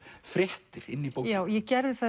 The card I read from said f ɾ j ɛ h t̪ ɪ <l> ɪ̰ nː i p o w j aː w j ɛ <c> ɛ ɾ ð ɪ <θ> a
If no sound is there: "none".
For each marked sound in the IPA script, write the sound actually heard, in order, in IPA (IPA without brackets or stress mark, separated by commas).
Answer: ɾ, c, θ